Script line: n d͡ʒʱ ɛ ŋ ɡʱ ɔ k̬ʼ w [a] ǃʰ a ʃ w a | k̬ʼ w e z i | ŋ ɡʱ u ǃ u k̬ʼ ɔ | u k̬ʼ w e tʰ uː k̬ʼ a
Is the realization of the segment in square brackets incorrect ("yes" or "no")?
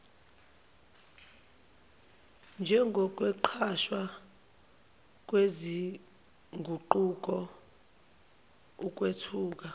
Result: yes